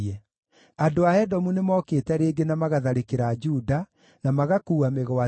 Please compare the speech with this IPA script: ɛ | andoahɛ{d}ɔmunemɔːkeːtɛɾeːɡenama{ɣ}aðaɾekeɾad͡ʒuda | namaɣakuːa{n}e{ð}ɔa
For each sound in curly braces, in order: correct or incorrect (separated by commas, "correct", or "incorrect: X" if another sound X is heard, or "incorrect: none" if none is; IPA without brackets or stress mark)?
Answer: correct, correct, incorrect: m, incorrect: ɣ